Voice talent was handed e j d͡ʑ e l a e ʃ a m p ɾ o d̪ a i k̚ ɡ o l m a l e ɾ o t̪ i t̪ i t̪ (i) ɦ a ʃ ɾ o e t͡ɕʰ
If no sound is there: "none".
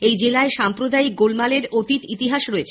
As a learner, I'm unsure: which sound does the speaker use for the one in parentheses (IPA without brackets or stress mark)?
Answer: i